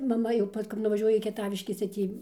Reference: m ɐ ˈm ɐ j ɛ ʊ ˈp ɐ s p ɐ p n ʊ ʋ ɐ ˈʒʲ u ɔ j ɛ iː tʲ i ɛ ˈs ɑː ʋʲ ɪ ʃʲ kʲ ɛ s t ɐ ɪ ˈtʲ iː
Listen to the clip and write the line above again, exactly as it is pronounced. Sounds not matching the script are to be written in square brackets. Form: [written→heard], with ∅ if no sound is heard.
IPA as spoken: m ɐ ˈm ɐ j ɛ ʊ ˈp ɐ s [p→k] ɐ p n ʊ ʋ ɐ ˈʒʲ u ɔ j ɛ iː [tʲ→kʲ] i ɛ [ˈs→ˈt] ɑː ʋʲ ɪ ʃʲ kʲ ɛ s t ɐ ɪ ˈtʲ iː